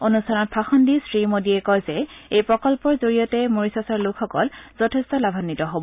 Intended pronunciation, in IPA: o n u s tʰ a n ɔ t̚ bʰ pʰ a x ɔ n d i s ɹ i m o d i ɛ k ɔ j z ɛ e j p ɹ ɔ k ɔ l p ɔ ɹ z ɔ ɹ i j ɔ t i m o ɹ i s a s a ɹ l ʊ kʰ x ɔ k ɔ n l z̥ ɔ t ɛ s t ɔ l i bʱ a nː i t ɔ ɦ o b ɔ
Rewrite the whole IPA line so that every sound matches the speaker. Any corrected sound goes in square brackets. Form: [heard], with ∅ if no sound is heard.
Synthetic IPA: o n u s tʰ a n ɔ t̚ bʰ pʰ a x ɔ n d i s ɹ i m o d i ɛ k ɔ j z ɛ e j p ɹ ɔ k ɔ l p ɔ ɹ z [o] ɹ i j ɔ t [ɛ] m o ɹ i s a s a ɹ l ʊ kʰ x ɔ k ɔ [∅] l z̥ ɔ [tʰ] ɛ s t ɔ l [a] bʱ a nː i t ɔ ɦ o b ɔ